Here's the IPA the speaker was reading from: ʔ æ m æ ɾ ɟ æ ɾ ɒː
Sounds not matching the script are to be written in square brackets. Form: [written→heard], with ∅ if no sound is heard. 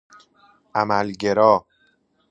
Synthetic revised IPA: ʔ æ m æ [ɾ→l] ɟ [æ→e] ɾ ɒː